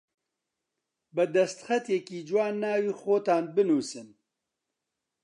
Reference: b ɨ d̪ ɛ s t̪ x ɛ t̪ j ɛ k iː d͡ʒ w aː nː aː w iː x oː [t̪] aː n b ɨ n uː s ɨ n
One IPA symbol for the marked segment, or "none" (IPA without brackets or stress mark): t̪